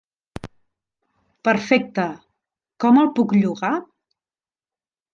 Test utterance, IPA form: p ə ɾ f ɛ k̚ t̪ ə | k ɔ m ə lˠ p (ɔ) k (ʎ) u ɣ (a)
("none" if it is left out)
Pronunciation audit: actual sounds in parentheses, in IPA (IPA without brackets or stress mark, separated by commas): u, ʎ, a